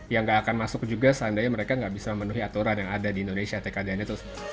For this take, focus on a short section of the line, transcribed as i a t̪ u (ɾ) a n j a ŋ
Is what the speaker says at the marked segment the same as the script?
yes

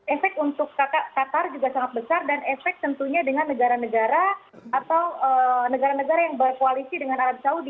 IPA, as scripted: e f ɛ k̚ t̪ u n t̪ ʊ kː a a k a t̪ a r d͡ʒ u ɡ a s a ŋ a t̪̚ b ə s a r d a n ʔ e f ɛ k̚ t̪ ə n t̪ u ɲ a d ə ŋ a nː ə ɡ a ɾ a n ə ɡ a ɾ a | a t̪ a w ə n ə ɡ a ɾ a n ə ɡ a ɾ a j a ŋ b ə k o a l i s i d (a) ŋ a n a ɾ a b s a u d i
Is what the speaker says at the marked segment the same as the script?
no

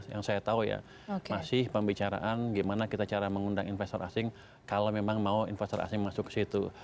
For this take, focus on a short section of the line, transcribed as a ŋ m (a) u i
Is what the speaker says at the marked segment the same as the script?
yes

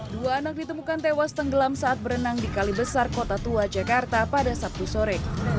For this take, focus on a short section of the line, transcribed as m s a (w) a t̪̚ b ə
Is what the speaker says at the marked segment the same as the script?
no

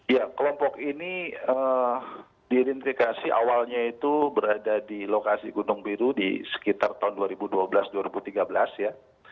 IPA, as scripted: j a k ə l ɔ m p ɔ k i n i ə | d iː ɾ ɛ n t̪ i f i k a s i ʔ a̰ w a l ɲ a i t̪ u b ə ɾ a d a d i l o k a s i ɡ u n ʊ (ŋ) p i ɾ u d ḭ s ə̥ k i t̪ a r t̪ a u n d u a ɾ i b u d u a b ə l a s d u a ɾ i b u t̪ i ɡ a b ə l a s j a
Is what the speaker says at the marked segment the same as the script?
yes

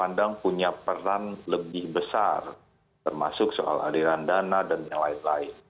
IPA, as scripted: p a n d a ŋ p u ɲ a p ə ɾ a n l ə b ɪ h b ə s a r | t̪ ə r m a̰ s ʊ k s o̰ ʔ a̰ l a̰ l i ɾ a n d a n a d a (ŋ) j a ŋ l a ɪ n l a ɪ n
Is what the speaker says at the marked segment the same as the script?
no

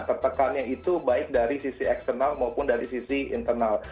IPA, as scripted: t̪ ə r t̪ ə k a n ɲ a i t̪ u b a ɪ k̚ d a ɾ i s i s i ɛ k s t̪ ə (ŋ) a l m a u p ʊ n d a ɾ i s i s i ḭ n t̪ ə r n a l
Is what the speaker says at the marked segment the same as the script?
no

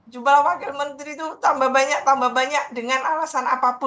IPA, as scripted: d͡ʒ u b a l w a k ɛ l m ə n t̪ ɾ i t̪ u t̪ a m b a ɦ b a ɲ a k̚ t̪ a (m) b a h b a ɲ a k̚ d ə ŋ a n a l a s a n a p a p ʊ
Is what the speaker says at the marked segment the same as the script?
yes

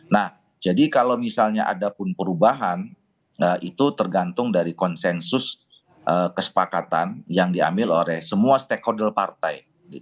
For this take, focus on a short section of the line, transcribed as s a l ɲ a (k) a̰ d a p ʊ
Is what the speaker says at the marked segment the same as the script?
no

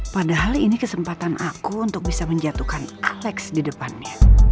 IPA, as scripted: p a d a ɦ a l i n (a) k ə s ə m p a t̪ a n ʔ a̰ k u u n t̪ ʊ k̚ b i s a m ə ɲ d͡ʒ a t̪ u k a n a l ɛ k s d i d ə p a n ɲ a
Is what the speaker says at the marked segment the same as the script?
no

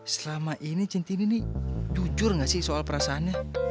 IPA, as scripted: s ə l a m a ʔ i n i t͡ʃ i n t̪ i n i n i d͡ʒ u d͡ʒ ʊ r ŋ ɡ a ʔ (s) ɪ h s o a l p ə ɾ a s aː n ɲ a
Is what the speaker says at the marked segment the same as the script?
yes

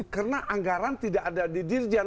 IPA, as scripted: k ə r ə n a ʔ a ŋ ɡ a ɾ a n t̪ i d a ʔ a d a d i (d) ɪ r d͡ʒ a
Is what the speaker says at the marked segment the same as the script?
yes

